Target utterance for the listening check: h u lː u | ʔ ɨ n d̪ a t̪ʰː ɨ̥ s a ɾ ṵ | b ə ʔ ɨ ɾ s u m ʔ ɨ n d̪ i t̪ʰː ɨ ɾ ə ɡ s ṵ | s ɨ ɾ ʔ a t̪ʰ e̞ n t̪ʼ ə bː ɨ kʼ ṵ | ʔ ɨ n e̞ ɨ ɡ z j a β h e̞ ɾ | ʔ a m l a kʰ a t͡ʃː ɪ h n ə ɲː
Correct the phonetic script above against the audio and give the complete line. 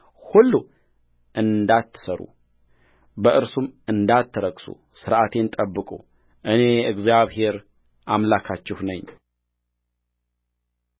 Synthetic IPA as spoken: h u lː u | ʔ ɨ n d̪ a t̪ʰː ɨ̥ s ə ɾ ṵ | b ə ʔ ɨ ɾ s u m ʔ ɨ n d̪ a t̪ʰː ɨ ɾ ə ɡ s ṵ | s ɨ ɾ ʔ a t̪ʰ e̞ n t̪ʼ ə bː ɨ kʼ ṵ | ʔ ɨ n e̞ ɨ ɡ z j a β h e̞ ɾ | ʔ a m l a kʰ a t͡ʃː ɪ h n ə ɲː